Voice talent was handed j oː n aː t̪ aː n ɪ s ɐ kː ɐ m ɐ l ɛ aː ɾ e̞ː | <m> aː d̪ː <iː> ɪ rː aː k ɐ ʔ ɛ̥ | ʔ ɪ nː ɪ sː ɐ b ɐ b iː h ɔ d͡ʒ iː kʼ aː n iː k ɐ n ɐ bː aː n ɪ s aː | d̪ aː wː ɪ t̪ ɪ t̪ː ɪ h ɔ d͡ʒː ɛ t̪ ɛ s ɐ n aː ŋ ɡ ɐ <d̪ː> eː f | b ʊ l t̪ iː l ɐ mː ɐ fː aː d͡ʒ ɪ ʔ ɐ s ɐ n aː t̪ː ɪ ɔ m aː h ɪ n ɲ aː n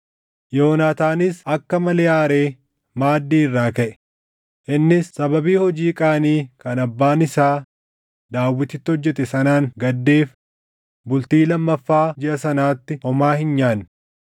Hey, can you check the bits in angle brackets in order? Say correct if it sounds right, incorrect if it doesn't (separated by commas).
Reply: correct, correct, correct